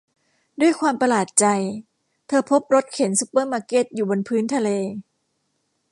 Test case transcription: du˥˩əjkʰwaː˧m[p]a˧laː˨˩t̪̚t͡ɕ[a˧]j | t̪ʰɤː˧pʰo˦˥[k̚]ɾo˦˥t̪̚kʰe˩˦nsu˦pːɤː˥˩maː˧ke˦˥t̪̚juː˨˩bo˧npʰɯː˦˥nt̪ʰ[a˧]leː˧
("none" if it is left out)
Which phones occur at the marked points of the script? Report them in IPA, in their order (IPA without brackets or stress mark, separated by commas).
p, a˧, p̚, a˧